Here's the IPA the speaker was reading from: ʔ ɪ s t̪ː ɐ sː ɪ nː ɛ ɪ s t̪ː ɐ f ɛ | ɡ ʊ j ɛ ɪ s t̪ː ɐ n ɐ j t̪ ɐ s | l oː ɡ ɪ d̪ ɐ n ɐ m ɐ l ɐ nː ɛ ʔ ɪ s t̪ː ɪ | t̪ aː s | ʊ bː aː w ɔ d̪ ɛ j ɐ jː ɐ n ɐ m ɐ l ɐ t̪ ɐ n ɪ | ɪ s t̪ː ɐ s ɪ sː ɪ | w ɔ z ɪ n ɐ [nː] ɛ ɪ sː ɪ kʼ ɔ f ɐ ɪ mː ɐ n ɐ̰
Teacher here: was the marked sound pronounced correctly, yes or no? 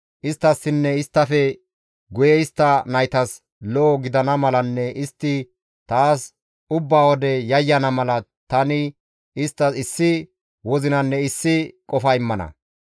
yes